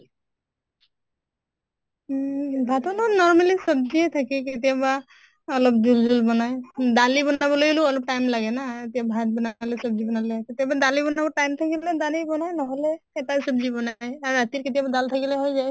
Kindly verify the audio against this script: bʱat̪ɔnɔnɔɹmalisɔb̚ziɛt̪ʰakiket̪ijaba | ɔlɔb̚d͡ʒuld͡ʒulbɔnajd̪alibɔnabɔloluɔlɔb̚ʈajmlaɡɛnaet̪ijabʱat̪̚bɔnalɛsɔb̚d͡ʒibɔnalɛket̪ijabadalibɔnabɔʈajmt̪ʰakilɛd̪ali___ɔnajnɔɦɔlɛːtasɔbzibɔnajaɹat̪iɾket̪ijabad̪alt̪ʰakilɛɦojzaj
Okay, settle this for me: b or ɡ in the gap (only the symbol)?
b